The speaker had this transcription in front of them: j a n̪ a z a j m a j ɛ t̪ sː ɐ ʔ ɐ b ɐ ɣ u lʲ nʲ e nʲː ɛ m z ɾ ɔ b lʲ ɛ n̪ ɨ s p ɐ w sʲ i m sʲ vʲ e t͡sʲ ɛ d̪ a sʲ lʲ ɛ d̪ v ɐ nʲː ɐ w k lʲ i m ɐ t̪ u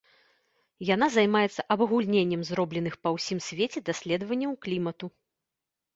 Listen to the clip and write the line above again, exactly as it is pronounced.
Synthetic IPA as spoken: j a n̪ a z a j m a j ɛ t̪ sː ɐ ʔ ɐ b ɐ ɣ u lʲ nʲ e nʲː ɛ m z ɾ ɔ b lʲ ɛ n̪ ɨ x p ɐ w sʲ i m sʲ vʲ e t͡sʲ ɛ d̪ a sʲ lʲ ɛ d̪ v ɐ nʲː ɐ w k lʲ i m ɐ t̪ u